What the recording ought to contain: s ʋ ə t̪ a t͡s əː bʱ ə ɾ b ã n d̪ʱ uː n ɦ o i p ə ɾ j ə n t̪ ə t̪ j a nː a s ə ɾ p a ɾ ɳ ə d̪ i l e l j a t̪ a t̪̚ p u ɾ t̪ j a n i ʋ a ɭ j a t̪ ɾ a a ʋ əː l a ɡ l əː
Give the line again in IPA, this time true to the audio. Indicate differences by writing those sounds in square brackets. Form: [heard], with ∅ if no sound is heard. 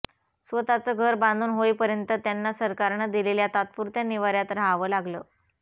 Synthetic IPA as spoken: s ʋ ə t̪ a t͡s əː [ɡʱ] ə ɾ b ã n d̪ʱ uː n ɦ o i p ə ɾ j ə n t̪ ə t̪ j a nː a s ə ɾ [k] a ɾ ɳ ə d̪ i l e l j a t̪ a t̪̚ p u ɾ t̪ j a n i ʋ a [ɾ] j a t̪ ɾ a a ʋ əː l a ɡ l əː